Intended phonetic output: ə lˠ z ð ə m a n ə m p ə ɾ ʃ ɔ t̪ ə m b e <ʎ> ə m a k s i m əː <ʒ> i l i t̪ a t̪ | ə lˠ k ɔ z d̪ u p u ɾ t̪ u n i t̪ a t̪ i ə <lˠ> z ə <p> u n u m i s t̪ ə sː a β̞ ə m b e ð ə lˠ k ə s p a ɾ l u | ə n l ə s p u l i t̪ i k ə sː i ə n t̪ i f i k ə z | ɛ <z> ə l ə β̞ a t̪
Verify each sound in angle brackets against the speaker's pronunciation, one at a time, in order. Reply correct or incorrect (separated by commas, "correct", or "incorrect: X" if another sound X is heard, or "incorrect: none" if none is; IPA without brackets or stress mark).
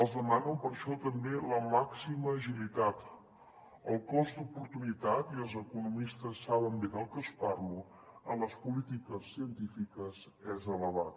incorrect: l, correct, correct, incorrect: k, correct